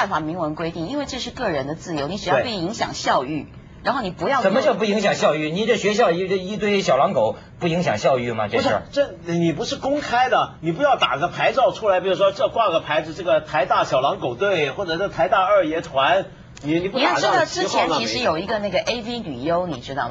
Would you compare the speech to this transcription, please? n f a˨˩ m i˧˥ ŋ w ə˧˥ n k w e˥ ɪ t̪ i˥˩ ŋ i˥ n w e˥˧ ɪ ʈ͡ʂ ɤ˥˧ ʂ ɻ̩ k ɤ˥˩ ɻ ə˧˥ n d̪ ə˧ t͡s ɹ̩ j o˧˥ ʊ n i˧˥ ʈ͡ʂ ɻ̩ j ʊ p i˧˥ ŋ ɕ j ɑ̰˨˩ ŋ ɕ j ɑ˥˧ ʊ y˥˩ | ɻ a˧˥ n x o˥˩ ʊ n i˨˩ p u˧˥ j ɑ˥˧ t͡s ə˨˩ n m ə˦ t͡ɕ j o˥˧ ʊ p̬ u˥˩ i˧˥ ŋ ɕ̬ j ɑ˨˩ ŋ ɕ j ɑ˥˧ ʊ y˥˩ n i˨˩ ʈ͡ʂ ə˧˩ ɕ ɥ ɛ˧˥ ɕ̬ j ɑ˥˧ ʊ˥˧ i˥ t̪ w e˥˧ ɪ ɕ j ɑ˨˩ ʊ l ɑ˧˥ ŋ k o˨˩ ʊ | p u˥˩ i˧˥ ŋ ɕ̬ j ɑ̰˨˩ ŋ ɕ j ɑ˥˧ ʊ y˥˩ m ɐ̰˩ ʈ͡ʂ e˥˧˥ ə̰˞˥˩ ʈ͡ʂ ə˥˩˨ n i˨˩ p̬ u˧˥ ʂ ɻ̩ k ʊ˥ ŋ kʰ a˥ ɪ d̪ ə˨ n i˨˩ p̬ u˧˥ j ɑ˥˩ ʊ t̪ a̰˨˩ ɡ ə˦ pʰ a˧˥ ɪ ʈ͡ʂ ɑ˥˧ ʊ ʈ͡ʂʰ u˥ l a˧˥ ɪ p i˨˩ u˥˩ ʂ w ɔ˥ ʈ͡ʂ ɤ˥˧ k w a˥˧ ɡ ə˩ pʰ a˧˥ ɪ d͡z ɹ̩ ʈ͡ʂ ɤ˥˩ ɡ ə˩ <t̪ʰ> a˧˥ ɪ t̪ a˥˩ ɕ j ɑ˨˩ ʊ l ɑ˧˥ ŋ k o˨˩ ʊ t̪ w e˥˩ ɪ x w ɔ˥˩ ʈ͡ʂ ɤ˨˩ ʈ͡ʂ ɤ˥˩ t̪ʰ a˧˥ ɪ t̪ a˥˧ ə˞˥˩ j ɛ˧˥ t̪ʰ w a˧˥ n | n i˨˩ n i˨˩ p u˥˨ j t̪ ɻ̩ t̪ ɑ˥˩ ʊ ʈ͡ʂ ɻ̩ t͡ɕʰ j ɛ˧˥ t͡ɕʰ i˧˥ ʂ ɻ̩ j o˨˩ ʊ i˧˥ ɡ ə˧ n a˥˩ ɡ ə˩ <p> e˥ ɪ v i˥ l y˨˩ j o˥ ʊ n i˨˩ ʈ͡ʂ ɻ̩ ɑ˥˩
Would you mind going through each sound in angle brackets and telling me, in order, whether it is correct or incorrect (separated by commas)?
correct, incorrect